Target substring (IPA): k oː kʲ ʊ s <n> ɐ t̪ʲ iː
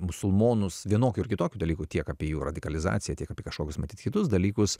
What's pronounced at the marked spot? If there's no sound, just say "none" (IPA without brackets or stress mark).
m